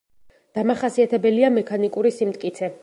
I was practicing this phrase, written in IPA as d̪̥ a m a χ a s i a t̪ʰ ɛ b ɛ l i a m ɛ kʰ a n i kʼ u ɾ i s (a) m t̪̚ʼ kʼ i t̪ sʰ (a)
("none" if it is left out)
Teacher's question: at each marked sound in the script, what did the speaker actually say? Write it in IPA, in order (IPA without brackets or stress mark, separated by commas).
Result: i, ɛ